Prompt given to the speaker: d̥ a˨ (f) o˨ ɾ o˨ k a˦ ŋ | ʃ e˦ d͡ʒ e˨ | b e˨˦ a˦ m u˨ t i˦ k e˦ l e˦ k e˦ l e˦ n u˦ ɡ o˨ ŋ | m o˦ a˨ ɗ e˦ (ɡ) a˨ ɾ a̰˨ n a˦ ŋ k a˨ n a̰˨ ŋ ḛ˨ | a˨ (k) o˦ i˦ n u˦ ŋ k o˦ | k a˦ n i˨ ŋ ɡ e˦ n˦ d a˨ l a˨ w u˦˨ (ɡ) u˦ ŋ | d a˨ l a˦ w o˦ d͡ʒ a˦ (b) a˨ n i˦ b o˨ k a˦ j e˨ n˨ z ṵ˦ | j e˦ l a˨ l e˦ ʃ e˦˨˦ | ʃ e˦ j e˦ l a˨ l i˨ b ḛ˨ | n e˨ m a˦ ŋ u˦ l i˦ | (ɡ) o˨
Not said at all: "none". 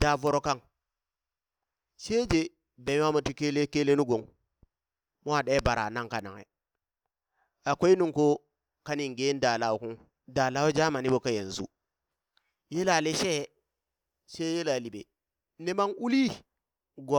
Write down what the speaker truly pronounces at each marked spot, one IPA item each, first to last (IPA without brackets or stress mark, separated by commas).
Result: v, b, k, k, m, ɡ